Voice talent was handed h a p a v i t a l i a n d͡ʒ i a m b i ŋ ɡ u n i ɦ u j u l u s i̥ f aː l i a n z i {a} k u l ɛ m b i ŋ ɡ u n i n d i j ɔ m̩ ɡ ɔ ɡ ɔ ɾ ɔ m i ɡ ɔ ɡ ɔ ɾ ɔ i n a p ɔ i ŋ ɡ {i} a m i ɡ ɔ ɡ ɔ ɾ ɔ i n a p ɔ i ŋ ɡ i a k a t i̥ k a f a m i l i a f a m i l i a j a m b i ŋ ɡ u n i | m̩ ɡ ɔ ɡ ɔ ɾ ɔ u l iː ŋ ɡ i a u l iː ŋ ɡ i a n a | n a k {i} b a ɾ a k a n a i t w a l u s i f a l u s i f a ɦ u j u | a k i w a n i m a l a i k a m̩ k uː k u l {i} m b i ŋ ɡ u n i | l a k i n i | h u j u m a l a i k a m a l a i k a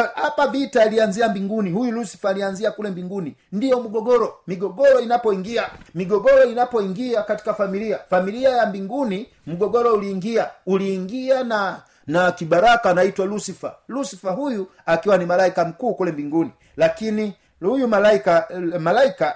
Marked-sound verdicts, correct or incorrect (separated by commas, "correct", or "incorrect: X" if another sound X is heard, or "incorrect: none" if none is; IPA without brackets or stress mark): correct, correct, correct, incorrect: ɛ